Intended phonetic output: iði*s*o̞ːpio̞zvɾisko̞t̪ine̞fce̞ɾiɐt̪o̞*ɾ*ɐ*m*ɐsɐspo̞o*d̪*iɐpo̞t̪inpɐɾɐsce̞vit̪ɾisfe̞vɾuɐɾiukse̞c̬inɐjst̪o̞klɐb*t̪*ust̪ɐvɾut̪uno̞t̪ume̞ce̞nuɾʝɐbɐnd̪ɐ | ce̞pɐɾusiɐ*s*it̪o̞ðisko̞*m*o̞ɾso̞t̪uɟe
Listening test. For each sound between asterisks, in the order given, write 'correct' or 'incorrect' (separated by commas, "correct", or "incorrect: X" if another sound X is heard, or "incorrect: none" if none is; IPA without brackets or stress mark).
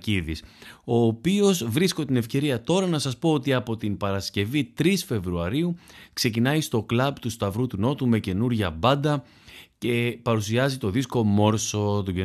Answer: correct, correct, incorrect: n, incorrect: t̪, correct, incorrect: z, correct